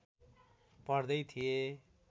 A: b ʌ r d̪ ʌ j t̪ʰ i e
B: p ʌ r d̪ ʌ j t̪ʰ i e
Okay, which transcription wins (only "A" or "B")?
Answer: B